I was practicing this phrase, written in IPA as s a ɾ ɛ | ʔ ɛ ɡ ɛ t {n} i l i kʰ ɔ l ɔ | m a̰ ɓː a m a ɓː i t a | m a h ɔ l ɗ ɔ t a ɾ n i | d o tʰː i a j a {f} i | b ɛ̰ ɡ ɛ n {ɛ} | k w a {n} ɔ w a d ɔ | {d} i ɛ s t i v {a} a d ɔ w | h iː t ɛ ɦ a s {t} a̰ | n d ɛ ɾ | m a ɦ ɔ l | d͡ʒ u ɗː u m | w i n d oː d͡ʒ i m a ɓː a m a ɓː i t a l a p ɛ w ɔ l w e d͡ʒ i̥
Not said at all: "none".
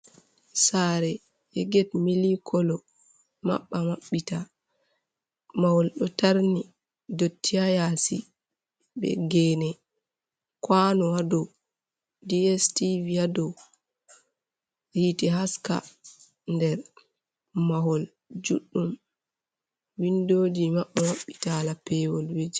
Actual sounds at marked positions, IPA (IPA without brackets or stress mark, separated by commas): m, s, ɛ, n, d, i, k